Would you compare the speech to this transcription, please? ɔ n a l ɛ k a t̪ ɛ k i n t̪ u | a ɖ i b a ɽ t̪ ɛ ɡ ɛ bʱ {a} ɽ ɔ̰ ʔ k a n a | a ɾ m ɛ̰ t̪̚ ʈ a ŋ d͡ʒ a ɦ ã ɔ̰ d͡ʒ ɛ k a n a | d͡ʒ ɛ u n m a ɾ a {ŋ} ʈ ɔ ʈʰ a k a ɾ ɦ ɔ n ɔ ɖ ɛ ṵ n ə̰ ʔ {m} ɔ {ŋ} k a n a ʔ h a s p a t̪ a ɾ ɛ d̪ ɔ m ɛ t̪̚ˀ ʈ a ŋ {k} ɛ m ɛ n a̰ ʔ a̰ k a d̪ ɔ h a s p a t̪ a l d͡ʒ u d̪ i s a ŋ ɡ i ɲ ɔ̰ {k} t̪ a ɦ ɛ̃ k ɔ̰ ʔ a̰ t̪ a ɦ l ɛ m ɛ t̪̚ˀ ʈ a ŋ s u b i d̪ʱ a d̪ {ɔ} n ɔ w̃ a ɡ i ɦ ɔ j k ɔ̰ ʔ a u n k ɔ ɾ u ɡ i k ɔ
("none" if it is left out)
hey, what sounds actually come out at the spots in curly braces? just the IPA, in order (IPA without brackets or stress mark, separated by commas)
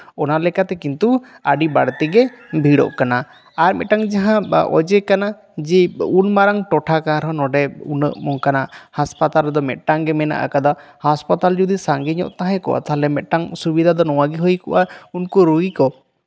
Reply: i, ŋ, m, ŋ, ɡ, ʔ, ɔ